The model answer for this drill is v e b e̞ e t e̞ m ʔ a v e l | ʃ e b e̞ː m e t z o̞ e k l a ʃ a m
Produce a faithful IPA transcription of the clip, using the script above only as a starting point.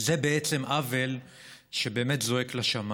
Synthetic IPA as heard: z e b e̞ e t͡s e̞ m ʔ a v e l | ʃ e b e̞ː m e t z o̞ e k l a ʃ a m